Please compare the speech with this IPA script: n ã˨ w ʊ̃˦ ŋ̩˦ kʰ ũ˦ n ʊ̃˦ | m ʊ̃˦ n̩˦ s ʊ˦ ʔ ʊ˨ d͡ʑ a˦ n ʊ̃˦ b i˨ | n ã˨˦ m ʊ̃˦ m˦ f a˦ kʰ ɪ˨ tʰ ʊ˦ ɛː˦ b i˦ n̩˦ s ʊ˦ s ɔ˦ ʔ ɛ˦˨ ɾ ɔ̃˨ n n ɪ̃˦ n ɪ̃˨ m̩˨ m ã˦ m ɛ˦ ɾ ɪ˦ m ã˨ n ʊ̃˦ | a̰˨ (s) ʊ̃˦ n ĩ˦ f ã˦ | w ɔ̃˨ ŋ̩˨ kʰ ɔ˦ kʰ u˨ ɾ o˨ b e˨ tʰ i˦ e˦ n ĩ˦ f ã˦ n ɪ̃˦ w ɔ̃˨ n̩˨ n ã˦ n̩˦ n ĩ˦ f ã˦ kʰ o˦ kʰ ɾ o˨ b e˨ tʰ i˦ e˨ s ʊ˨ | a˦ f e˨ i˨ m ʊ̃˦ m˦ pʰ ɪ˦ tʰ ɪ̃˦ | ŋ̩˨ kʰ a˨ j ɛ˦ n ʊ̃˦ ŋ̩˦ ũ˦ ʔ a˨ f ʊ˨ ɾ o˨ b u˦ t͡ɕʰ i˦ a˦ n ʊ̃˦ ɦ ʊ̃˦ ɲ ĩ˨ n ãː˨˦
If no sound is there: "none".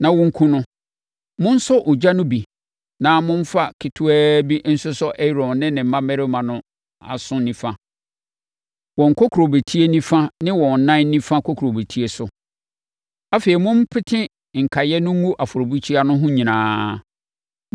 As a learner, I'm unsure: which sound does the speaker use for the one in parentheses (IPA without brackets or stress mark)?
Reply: s